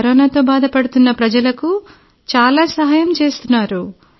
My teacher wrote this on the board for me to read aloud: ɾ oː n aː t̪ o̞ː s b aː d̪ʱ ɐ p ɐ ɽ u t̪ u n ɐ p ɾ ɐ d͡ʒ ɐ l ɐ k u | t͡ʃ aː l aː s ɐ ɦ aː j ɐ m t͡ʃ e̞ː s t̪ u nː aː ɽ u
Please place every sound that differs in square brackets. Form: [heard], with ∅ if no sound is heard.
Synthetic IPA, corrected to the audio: ɾ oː n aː t̪ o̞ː [∅] b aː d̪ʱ ɐ p ɐ ɽ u t̪ u [nː] ɐ p ɾ ɐ d͡ʒ ɐ l ɐ k u | t͡ʃ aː l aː s ɐ ɦ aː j ɐ m t͡ʃ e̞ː s t̪ u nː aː [ɾ] u